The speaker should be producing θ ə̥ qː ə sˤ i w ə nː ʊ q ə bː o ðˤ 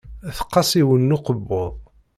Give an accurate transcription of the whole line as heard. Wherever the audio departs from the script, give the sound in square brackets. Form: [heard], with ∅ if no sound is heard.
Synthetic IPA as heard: θ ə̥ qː [ɑ] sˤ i w ə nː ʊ q ə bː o ðˤ